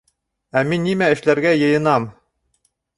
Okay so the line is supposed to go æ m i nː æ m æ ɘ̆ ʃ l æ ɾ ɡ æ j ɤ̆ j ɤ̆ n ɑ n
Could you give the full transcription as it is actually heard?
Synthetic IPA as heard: æ m i nː i m æ ɘ̆ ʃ l æ ɾ ɡ æ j ɤ̆ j ɤ̆ n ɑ m